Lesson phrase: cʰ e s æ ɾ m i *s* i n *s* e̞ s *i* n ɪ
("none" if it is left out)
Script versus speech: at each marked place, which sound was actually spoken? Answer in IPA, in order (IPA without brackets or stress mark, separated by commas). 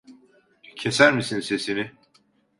s, s, i